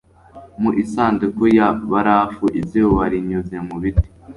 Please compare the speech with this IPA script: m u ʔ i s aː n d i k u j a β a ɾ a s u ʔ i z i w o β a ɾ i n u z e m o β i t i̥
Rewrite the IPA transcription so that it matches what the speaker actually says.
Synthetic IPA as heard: m u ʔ i s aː n d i k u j a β a ɾ a f u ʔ i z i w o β a ɾ i ɲ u z e m u β i t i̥